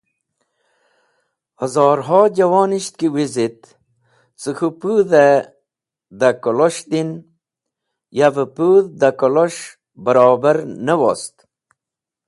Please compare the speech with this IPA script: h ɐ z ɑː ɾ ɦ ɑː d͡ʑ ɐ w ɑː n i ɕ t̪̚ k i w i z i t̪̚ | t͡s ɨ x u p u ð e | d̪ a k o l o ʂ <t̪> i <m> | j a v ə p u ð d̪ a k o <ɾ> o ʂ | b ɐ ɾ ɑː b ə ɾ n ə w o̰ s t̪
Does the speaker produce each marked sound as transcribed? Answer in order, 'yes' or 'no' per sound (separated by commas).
no, no, no